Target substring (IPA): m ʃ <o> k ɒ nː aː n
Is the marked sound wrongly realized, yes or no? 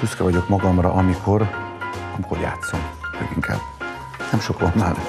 no